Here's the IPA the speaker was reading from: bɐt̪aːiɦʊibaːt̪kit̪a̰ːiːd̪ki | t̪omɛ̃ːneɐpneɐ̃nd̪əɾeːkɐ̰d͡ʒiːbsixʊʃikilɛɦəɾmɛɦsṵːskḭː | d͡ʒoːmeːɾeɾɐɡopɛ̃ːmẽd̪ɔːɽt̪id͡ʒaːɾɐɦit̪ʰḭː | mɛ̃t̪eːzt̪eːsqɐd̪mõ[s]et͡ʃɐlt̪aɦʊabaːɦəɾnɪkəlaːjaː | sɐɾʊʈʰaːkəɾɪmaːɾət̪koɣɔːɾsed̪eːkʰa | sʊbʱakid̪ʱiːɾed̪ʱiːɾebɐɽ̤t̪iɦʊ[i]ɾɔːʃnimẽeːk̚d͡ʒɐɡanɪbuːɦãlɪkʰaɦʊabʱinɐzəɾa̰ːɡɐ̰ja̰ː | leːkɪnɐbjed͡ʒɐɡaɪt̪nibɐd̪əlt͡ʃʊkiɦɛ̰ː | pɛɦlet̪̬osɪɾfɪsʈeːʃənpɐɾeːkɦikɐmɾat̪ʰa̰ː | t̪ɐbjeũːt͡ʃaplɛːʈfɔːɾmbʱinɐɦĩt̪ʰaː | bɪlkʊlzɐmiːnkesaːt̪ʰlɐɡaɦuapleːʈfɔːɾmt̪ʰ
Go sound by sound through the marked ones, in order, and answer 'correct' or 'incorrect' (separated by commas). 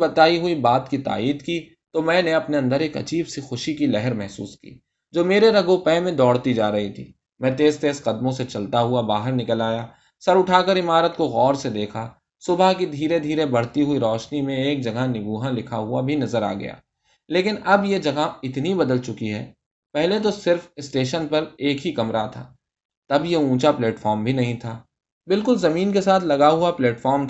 correct, correct